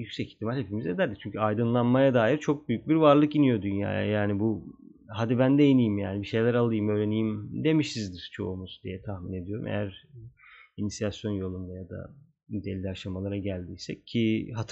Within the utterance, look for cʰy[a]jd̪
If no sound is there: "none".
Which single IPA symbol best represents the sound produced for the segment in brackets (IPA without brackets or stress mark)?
a